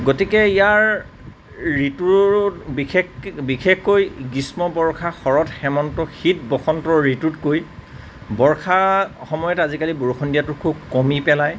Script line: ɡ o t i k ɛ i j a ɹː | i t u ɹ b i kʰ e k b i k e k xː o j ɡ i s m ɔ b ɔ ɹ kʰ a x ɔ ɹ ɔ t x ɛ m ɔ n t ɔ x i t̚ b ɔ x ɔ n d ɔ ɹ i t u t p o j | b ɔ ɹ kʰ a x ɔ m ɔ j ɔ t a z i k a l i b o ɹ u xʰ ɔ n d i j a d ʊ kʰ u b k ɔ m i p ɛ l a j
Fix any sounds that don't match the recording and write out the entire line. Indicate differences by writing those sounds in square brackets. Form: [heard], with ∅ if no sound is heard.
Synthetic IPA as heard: ɡ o t i k ɛ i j a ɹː | i t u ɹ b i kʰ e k b i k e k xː o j ɡ i s m ɔ b ɔ ɹ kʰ a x ɔ ɹ ɔ t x ɛ m ɔ n t ɔ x i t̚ b ɔ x ɔ n [t] ɔ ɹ i t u t [k] o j | b ɔ ɹ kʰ a x ɔ m ɔ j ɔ t a z i k a l i b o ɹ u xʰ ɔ n d i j a [t] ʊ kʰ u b k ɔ m i p ɛ l a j